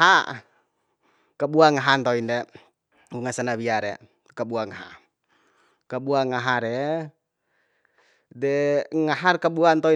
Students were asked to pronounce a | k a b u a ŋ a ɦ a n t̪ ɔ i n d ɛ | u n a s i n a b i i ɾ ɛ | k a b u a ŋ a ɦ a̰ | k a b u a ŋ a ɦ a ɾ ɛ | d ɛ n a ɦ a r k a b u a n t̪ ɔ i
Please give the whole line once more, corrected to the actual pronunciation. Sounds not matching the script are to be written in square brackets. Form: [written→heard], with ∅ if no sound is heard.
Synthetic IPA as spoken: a | k a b u a ŋ a ɦ a n t̪ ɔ i n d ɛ | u [n→ŋ] a s [i→a] n a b i [i→a] ɾ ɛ | k a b u a ŋ a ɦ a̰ | k a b u a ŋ a ɦ a ɾ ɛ | d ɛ [n→ŋ] a ɦ a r k a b u a n t̪ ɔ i